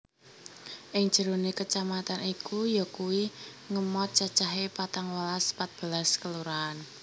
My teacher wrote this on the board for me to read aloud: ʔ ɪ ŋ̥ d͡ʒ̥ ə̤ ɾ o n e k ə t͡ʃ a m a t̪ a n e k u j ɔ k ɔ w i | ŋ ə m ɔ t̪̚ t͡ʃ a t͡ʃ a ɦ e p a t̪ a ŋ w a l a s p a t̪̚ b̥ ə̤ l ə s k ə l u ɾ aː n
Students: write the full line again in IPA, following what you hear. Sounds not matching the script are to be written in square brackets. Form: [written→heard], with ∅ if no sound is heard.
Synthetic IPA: ʔ ɪ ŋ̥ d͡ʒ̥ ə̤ ɾ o n e k ə t͡ʃ a m a t̪ a n [e→i] k u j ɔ k [ɔ→u] w i | ŋ ə m ɔ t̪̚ t͡ʃ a t͡ʃ a ɦ e p a t̪ a ŋ w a l a s p a t̪̚ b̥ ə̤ l [ə→a] s k ə l u ɾ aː n